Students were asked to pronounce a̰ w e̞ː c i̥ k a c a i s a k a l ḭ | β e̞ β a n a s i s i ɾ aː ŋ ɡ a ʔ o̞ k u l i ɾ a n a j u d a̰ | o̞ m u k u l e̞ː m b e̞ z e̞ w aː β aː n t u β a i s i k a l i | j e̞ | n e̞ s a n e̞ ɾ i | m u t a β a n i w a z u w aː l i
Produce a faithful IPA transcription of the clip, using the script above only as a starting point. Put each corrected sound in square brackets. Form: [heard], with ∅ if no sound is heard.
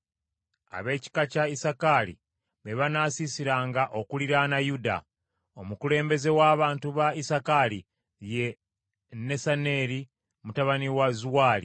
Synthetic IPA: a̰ [β] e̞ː c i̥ k a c a i s a k a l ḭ | β e̞ β a n a s i s i ɾ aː ŋ ɡ a ʔ o̞ k u l i ɾ a n a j u d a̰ | o̞ m u k u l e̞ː m b e̞ z e̞ w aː β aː n t u β a i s [a] k a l i | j e̞ | n e̞ s a n e̞ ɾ i | m u t a β a n i w a z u w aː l i

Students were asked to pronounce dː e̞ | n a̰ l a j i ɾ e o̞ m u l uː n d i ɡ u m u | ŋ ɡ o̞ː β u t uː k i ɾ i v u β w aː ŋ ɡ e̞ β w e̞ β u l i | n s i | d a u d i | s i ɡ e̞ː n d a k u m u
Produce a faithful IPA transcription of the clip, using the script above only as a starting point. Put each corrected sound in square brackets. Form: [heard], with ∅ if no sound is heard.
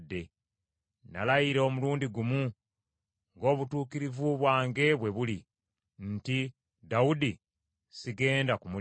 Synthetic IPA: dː e̞ | n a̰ l a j i ɾ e o̞ m u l uː n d i ɡ u m u | ŋ ɡ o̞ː β u t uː k i ɾ i v u β w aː ŋ ɡ e̞ β w e̞ β u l i | n [t] i | d a u d i | s i ɡ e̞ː n d a k u m u

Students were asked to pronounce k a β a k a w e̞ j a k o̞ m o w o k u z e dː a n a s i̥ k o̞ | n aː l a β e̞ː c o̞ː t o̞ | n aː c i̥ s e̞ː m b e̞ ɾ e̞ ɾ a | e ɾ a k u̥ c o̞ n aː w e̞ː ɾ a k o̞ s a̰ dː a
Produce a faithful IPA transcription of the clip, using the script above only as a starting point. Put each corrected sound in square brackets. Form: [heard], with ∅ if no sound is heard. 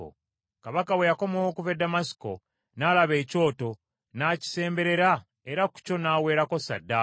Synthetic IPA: k a β a k a w e̞ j a k o̞ m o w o k u [v] e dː a [m] a s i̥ k o̞ | n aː l a β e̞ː c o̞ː t o̞ | n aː c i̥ s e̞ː m b e̞ ɾ e̞ ɾ a | e ɾ a k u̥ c o̞ n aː w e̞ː ɾ a k o̞ s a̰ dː a

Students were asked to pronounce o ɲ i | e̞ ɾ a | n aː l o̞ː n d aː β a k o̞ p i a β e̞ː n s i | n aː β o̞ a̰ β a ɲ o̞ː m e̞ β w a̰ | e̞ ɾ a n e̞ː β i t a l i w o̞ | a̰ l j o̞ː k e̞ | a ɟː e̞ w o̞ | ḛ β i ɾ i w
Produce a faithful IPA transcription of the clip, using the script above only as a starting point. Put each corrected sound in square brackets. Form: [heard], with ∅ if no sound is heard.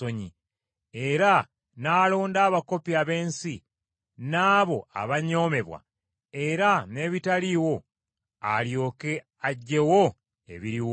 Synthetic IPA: o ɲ i | e̞ ɾ a | n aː l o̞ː n d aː β a k o̞ p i a β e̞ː n s i | n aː β o̞ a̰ β a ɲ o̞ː m e̞ β w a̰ | e̞ ɾ a n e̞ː β i t a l i w o̞ | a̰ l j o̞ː k e̞ | a ɟː e̞ w o̞ | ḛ β i ɾ i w

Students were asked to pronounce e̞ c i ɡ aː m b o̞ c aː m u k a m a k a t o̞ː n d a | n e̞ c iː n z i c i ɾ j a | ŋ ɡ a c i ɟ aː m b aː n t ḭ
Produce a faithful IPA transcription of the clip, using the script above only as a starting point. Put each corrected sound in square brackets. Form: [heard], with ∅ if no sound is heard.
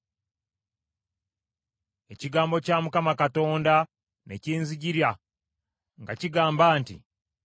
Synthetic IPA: e̞ c i ɡ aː m b o̞ c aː m u k a m a k a t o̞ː n d a | n e̞ c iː n z i [ɟ] i ɾ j a | ŋ ɡ a c i [ɡ] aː m b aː n t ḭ

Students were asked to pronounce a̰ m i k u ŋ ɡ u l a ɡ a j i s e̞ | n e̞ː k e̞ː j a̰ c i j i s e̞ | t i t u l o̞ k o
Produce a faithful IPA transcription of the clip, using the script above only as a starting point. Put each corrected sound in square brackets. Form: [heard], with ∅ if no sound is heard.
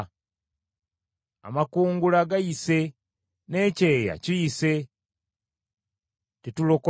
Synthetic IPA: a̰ m [a] k [uː] ŋ ɡ u l a ɡ a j i s e̞ | n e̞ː [c] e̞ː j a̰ c i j i s e̞ | t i t u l o̞ k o

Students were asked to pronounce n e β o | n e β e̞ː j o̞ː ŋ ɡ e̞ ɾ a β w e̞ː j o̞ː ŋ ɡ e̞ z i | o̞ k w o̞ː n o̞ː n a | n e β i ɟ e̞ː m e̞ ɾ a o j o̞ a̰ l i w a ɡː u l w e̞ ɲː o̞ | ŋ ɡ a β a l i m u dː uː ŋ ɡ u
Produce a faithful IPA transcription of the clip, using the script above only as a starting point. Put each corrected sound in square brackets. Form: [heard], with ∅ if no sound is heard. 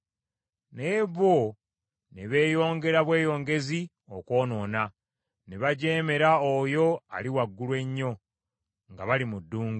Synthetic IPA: n e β o | n e β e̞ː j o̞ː ŋ ɡ e̞ ɾ a β w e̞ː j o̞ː ŋ ɡ e̞ z i | o̞ k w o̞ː n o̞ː n a | n e β [a] ɟ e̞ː m e̞ ɾ a o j o̞ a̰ l i w a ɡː u l w e̞ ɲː o̞ | ŋ ɡ a β a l i m u dː uː ŋ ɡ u

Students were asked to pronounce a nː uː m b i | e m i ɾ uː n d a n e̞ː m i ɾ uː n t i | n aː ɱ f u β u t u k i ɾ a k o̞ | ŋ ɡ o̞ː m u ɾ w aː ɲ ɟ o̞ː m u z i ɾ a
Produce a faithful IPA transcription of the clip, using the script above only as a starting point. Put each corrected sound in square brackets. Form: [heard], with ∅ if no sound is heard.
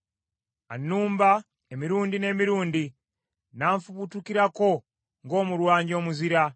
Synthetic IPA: a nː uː m b [a] | e m i ɾ uː n d [i] n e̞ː m i ɾ uː n [d] i | n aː ɱ f u β u t u k i ɾ a k o̞ | ŋ ɡ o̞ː m u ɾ w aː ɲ ɟ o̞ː m u z i ɾ a

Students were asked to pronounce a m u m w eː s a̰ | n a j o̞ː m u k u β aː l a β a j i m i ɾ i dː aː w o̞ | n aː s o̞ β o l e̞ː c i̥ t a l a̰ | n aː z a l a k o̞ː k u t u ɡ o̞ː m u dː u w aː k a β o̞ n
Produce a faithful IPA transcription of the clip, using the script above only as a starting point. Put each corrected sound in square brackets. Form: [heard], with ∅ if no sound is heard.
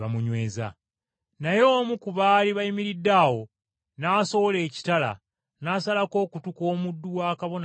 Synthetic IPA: a m u [ɲ] w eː [z] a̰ | n a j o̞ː m u k u β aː l [i] β a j i m i ɾ i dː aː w o̞ | n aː s o̞ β o l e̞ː c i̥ t a l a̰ | n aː [s] a l a k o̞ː k u t u [k] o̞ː m u dː u w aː k a β o̞ n

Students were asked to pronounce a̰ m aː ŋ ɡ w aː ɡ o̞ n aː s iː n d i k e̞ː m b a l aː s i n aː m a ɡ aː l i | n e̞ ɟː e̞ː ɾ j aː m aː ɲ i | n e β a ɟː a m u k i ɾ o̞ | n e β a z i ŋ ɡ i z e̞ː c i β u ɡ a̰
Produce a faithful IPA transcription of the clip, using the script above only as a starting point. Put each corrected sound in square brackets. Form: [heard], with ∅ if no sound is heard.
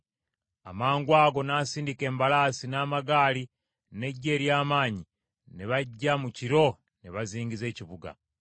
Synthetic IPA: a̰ m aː ŋ ɡ w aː ɡ o̞ n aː s iː n d i k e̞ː m b a l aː s i n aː m a ɡ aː l i | n e̞ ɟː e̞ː ɾ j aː m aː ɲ i | n e β a ɟː a m u [c] i ɾ o̞ | n e β a z [iː] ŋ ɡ i z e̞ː c i β u ɡ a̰

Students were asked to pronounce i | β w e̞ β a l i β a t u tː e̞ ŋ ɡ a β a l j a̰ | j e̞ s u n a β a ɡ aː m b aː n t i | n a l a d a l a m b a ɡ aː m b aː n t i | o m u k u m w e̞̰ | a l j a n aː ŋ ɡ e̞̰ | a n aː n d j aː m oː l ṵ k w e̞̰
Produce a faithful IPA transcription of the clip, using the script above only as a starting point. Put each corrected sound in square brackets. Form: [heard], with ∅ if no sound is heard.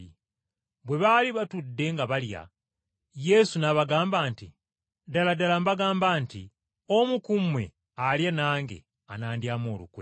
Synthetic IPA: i | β w e̞ β a l i β a t u [dː] e̞ ŋ ɡ a β a l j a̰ | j e̞ s u n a β a ɡ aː m b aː n t i | [d] a l a d a l a m b a ɡ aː m b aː n t i | o m u k u m w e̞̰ | a l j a n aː ŋ ɡ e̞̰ | a n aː n d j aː m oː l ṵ k w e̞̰

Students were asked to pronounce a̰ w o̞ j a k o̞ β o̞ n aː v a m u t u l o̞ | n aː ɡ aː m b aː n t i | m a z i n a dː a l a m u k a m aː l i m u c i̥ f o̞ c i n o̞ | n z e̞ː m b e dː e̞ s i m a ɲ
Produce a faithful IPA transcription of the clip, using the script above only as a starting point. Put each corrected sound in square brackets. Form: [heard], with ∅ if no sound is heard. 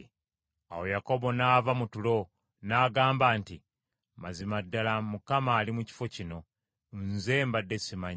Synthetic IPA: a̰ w o̞ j a k o̞ [b] o̞ n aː v a m u t u l o̞ | n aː ɡ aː m b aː n t i | m a z i [m] a dː a l a m u k a m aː l i m u c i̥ f o̞ c i n o̞ | n z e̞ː m b [a] dː e̞ s i m a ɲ

